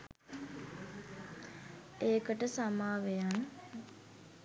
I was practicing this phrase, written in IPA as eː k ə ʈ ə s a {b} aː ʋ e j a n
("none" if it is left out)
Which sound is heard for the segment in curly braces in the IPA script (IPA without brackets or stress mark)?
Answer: m